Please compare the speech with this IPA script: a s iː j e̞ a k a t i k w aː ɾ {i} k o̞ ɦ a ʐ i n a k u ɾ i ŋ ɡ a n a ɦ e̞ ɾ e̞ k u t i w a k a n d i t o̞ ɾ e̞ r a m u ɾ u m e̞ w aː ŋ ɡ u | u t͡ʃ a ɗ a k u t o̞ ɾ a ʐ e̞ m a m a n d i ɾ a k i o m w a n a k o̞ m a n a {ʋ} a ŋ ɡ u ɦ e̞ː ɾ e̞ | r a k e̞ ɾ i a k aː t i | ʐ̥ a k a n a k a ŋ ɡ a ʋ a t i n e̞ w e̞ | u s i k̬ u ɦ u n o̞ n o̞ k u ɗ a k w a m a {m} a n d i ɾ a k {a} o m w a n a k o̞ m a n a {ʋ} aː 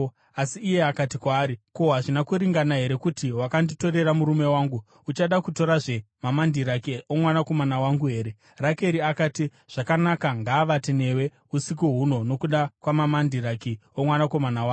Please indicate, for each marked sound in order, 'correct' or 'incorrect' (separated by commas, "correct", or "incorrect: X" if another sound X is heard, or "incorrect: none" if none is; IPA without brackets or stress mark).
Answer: correct, incorrect: w, correct, incorrect: i, incorrect: w